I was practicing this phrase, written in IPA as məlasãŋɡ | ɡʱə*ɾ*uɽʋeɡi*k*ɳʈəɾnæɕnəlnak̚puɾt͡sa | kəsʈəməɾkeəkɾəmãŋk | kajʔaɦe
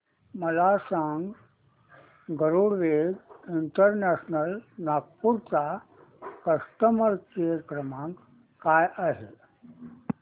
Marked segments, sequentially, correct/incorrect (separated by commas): correct, incorrect